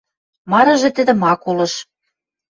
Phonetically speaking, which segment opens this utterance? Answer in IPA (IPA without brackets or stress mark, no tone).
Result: m